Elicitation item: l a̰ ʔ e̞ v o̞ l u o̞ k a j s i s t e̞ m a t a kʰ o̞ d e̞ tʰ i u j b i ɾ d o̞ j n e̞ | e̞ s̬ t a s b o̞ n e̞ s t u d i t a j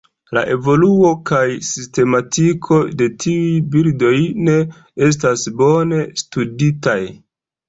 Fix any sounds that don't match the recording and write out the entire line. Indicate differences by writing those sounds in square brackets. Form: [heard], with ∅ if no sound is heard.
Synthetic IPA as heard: l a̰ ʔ e̞ v o̞ l u o̞ k a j s i s t e̞ m a t [i] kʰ o̞ d e̞ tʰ i u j b i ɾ d o̞ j n e̞ | e̞ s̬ t a s b o̞ n e̞ s t u d i t a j